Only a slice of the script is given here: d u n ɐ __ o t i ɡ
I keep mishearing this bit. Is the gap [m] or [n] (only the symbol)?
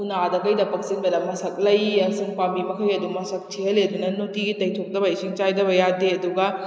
n